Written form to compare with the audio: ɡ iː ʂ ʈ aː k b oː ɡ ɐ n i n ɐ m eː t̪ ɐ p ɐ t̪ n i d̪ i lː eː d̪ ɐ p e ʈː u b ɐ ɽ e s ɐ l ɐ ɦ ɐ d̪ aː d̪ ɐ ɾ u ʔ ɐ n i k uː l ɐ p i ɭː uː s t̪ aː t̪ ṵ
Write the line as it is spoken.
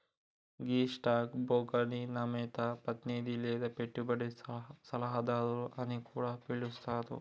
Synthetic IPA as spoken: ɡ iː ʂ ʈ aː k b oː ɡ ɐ n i n ɐ m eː t̪ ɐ p ɐ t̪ n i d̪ i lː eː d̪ ɐ p e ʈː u b ɐ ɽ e s ɐ l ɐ ɦ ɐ d̪ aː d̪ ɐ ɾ u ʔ ɐ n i k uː ɽ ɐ p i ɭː u s t̪ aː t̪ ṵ